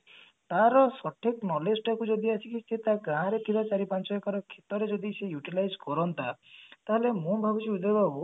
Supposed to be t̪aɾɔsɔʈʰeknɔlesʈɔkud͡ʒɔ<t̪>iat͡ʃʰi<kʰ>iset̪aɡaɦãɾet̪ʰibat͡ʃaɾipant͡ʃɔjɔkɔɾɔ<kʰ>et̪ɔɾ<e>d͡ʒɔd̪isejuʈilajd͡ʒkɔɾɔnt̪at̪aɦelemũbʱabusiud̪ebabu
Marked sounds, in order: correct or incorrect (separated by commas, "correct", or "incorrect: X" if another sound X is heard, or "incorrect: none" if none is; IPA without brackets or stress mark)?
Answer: incorrect: d̪, incorrect: k, correct, correct